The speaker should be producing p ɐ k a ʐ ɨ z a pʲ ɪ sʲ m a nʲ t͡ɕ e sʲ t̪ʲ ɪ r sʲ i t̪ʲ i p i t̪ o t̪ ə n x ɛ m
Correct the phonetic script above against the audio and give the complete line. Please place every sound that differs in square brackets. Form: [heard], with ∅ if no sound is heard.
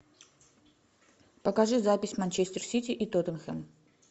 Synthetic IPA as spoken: p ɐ k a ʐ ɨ z a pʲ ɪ sʲ m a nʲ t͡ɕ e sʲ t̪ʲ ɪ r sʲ i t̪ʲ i [ʔ] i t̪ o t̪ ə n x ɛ m